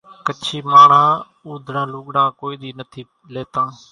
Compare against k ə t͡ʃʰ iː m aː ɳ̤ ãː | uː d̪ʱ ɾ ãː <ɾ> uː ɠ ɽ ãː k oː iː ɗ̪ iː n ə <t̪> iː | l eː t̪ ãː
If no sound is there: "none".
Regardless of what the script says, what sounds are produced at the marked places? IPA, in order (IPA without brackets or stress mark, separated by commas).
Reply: l, t̪ʰ